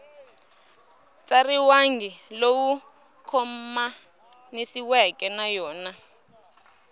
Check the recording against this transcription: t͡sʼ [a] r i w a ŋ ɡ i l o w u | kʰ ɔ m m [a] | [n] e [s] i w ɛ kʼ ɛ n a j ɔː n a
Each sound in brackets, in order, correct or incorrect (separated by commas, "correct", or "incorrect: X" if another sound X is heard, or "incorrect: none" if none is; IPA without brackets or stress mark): correct, correct, correct, correct